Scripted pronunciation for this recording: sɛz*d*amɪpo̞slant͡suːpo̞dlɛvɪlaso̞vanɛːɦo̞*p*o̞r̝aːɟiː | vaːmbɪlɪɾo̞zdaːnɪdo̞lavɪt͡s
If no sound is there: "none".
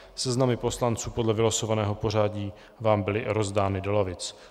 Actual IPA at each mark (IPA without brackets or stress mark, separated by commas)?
n, p